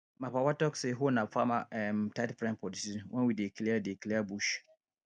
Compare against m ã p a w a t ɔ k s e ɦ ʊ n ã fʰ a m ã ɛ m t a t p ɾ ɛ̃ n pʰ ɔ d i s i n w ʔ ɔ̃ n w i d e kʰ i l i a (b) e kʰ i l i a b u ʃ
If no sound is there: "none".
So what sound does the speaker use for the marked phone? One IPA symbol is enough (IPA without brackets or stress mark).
d